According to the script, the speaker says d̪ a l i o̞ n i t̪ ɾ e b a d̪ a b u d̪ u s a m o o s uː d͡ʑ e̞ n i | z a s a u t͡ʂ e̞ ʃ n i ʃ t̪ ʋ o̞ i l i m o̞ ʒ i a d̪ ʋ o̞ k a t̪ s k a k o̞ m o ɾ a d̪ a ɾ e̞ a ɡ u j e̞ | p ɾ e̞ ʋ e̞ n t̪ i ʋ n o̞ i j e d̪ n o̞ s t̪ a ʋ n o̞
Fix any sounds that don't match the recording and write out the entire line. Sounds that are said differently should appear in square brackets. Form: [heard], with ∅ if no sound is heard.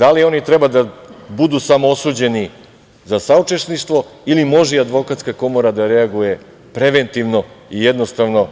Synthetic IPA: d̪ a l i o̞ n i t̪ ɾ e b a d̪ a b u d̪ u s a m o o s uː d͡ʑ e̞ n i | z a s a u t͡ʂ e̞ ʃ n i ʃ t̪ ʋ o̞ i l i m o̞ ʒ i a d̪ ʋ o̞ k a t̪ s k a k o̞ m o ɾ a d̪ a ɾ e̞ a ɡ u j e̞ | p ɾ e̞ ʋ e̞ n t̪ i ʋ n o̞ i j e d̪ n o̞ s t̪ a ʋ n o̞

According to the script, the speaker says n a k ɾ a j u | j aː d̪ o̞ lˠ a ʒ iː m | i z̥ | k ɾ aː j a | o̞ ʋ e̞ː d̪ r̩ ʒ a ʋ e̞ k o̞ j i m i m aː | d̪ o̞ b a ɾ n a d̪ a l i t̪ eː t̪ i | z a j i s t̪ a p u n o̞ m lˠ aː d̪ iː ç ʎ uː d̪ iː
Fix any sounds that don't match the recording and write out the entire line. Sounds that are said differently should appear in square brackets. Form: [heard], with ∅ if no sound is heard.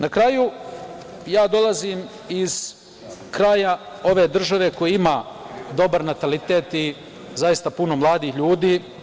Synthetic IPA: n a k ɾ a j u | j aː d̪ o̞ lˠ a [z] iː m | i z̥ | k ɾ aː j a | o̞ ʋ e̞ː d̪ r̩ ʒ a ʋ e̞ k o̞ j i [∅] i m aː | d̪ o̞ b a ɾ n a [t̪] a l i t̪ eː t̪ i | z a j i s t̪ a p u n o̞ m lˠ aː d̪ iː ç ʎ uː d̪ iː

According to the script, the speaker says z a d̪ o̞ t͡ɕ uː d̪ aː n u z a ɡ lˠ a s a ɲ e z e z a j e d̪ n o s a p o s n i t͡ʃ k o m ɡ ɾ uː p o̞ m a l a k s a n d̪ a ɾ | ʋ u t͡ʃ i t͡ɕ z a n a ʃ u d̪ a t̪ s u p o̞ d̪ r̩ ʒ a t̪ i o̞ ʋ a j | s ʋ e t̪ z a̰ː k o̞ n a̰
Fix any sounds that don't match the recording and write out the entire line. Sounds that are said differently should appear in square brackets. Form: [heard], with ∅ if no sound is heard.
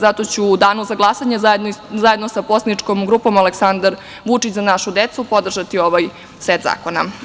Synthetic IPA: z a [t̪] o̞ t͡ɕ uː d̪ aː n u z a ɡ lˠ a s a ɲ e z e z a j e d̪ n o s a p o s n i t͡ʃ k o m ɡ ɾ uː p o̞ m a l [e] k s a n d̪ a ɾ | ʋ u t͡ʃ i t͡ɕ z a n a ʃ u d̪ [e] t̪ s u p o̞ d̪ r̩ ʒ a t̪ i o̞ ʋ a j | s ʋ e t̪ z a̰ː k o̞ n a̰

